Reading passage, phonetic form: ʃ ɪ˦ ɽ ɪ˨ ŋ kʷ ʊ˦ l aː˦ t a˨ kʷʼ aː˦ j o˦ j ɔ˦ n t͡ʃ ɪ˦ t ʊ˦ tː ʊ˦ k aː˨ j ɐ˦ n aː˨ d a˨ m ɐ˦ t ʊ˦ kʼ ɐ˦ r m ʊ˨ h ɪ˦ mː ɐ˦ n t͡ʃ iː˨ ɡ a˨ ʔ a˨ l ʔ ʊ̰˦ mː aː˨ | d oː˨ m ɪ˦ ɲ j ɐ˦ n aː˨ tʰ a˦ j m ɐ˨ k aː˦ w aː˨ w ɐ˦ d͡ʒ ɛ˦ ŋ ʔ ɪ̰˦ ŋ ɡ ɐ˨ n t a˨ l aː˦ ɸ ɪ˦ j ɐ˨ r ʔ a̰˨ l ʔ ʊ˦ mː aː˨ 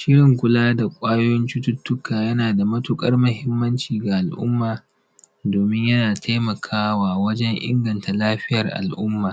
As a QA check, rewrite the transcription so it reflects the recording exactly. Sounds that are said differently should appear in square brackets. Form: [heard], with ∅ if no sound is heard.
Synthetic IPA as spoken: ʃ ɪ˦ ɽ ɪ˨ ŋ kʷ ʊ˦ l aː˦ [d] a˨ kʷʼ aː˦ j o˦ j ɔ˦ n t͡ʃ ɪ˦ t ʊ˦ tː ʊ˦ k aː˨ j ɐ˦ n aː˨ d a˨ m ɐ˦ t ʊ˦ kʼ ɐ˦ r m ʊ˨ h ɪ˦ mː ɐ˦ n t͡ʃ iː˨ ɡ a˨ ʔ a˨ l ʔ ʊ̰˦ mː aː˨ | d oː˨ m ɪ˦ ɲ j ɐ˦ n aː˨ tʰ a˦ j m ɐ˨ [kʰ] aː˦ w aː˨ w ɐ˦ d͡ʒ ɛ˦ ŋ ʔ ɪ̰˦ ŋ ɡ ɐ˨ n t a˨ l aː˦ ɸ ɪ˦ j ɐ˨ r ʔ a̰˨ l ʔ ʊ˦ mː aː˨